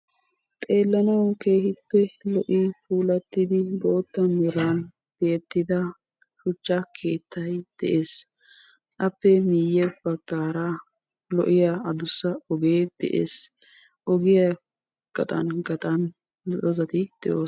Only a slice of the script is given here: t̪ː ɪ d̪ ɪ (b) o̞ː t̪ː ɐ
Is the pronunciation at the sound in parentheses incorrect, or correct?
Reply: correct